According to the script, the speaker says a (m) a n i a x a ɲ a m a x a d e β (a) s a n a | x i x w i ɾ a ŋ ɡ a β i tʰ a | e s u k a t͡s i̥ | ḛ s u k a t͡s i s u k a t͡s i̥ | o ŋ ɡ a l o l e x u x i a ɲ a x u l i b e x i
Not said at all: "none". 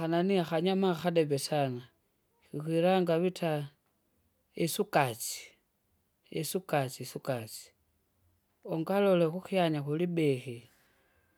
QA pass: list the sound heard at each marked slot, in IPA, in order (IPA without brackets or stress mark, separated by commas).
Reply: n, e